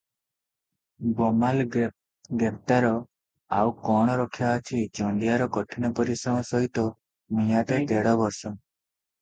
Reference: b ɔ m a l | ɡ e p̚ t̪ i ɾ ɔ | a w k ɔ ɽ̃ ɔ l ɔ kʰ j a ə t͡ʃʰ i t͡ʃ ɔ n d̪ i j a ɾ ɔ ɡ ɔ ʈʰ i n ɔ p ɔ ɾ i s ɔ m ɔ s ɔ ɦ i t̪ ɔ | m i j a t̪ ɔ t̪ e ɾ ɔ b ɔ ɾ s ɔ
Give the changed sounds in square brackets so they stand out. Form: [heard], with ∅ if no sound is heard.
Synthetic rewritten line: b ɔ m a l | ɡ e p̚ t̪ [a] ɾ ɔ | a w k ɔ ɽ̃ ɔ [ɾ] ɔ kʰ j a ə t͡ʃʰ i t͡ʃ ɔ n d̪ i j a ɾ ɔ [k] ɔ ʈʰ i n ɔ p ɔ ɾ i s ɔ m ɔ s ɔ ɦ i t̪ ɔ | m i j a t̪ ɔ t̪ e [ɽ] ɔ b ɔ ɾ s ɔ

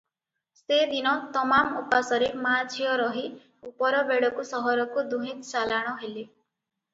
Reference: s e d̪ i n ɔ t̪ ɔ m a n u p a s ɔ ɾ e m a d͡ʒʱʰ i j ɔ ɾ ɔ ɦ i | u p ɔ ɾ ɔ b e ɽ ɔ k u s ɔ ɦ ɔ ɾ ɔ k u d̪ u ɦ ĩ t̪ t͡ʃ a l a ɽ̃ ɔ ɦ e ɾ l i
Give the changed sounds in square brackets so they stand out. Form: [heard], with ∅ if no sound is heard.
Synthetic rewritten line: s e d̪ i n ɔ t̪ ɔ m a [m] u p a s ɔ ɾ e m a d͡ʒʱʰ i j ɔ ɾ ɔ ɦ i | u p ɔ ɾ ɔ b e ɽ ɔ k u s ɔ ɦ ɔ ɾ ɔ k u d̪ u ɦ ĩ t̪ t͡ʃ a l a ɽ̃ ɔ ɦ e [∅] l i

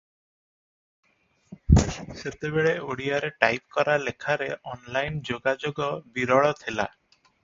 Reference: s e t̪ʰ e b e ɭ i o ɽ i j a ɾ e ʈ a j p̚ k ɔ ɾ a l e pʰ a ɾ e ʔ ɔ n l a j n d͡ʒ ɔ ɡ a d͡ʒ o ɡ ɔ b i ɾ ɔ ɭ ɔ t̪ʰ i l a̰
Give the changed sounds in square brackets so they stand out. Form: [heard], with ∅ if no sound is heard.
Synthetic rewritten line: s e [t̪] e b e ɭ [e] o ɽ i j a ɾ e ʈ a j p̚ k ɔ ɾ a l e [kʰ] a ɾ e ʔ ɔ n l a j n d͡ʒ [o] ɡ a d͡ʒ o ɡ ɔ b i ɾ ɔ ɭ ɔ t̪ʰ i l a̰

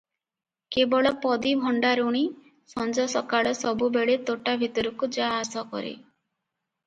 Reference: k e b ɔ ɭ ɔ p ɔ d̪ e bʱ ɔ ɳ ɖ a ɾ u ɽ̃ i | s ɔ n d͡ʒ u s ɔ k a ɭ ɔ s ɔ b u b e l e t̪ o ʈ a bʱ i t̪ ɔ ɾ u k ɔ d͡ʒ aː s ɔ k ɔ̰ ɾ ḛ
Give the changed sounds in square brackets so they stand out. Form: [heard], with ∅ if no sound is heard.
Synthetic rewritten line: k e b ɔ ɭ ɔ p ɔ d̪ [i] bʱ ɔ ɳ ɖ a ɾ u ɽ̃ i | s ɔ n d͡ʒ [ɔ] s ɔ k a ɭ ɔ s ɔ b u b e [ɭ] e t̪ o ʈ a bʱ i t̪ ɔ ɾ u k [u] d͡ʒ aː s ɔ k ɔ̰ ɾ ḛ

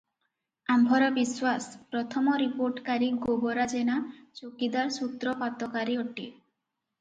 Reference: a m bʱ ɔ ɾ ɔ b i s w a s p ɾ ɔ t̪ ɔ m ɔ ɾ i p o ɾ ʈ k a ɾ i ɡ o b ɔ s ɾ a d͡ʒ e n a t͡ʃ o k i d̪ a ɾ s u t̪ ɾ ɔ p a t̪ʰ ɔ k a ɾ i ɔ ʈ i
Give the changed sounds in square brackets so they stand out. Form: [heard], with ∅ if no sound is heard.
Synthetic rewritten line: a m bʱ ɔ ɾ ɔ b i s w a s p ɾ ɔ [t̪ʰ] ɔ m ɔ ɾ i p o ɾ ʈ k a ɾ i ɡ o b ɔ [∅] ɾ a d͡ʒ e n a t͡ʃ o k i d̪ a ɾ s u t̪ ɾ ɔ p a [t̪] ɔ k a ɾ i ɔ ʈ i

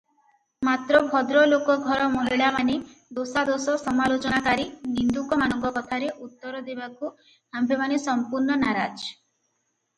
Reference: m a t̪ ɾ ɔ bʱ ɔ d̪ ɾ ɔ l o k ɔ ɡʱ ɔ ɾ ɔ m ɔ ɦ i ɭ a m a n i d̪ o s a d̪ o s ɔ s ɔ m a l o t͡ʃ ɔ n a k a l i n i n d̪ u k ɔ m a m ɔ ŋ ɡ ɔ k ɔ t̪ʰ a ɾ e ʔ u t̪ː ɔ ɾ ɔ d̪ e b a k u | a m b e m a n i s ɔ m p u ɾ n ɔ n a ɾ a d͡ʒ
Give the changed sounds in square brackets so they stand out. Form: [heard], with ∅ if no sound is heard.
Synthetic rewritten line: m a t̪ ɾ ɔ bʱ ɔ d̪ ɾ ɔ l o k ɔ ɡʱ ɔ ɾ ɔ m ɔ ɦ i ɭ a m a n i d̪ o s a d̪ o s ɔ s ɔ m a l o t͡ʃ ɔ n a k a [ɾ] i n i n d̪ u k ɔ m a [n] ɔ ŋ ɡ ɔ k ɔ t̪ʰ a ɾ e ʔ u t̪ː ɔ ɾ ɔ d̪ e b a k u | a m b e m a n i s ɔ m p u ɾ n ɔ n a ɾ a d͡ʒ

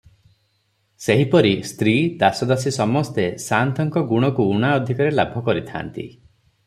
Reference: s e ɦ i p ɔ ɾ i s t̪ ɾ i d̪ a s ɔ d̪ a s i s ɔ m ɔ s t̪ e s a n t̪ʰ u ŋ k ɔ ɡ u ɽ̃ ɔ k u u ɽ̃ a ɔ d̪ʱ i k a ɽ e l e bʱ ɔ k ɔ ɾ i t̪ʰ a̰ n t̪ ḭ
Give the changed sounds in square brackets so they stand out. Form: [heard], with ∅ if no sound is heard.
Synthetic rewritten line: s e ɦ i p ɔ ɾ i s t̪ ɾ i d̪ a s ɔ d̪ a s i s ɔ m ɔ s t̪ e s a n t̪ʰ [ɔ] ŋ k ɔ ɡ u ɽ̃ ɔ k u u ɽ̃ a ɔ d̪ʱ i k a [ɾ] e l [a] bʱ ɔ k ɔ ɾ i t̪ʰ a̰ n t̪ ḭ

